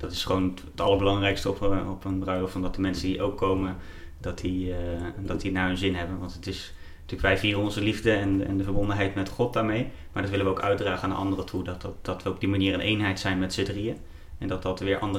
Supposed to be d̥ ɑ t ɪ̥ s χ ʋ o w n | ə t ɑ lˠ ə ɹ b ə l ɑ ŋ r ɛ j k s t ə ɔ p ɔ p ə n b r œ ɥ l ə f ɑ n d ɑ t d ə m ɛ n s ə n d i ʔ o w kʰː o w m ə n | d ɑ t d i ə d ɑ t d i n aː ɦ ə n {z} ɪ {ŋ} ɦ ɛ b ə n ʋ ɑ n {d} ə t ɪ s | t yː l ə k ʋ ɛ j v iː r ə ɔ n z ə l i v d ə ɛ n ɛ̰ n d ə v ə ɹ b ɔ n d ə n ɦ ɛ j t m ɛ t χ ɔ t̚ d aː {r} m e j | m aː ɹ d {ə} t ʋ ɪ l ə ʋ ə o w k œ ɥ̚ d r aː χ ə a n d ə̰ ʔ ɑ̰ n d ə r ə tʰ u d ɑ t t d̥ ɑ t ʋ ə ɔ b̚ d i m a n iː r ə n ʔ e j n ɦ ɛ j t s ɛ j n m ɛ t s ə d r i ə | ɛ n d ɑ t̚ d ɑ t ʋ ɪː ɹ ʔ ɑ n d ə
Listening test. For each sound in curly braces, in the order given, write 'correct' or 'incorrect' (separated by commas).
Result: correct, incorrect, incorrect, incorrect, incorrect